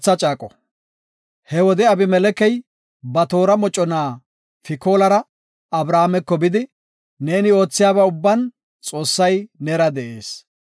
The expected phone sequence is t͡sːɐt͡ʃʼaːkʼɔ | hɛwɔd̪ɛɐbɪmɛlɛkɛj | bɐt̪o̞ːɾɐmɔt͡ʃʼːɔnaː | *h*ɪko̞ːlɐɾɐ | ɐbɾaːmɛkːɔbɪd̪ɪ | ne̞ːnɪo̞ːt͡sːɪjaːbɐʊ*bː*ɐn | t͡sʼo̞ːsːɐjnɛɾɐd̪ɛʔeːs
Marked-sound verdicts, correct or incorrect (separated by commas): incorrect, correct